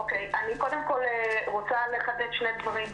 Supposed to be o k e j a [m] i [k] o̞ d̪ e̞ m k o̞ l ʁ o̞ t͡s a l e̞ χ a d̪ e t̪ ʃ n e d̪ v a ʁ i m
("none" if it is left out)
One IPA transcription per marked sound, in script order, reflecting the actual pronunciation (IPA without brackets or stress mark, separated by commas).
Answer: n, k